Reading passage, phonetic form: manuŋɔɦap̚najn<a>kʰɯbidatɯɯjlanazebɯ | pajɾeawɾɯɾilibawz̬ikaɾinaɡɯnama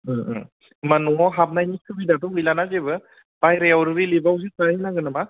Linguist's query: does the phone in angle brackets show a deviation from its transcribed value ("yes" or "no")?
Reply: yes